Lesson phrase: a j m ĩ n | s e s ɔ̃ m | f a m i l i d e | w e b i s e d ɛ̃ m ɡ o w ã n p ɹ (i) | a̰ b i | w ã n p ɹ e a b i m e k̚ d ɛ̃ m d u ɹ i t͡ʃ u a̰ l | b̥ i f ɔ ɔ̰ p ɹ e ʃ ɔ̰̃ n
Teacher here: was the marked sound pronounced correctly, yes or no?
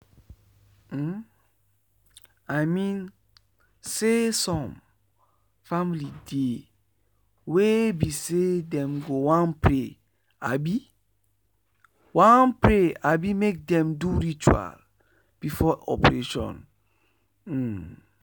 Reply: no